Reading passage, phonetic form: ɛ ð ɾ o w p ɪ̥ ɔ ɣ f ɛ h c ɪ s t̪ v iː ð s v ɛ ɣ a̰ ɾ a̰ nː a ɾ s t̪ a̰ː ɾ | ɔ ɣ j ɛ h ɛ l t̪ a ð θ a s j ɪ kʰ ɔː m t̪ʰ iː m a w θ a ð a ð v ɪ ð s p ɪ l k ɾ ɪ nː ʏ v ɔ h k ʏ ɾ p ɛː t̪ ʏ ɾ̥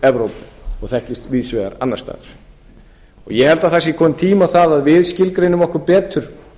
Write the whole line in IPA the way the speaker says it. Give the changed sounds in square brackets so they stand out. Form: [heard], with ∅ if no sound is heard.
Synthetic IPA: ɛ [v] ɾ o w p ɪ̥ ɔ ɣ [θ] ɛ h c ɪ s t̪ v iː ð s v ɛ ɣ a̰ ɾ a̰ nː a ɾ s t̪ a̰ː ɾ | ɔ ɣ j ɛ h ɛ l t̪ a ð θ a s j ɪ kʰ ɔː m t̪ʰ iː m a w θ a ð a ð v ɪ ð s [c] ɪ l k ɾ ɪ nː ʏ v ɔ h k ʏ ɾ p ɛː t̪ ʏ ɾ̥